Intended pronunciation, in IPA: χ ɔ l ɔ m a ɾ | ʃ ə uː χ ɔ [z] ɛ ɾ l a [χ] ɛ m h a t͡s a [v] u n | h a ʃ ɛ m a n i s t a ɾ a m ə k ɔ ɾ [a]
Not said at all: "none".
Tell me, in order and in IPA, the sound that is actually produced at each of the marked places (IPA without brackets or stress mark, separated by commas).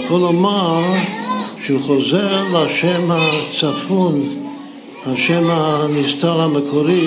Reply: z, ʃ, f, i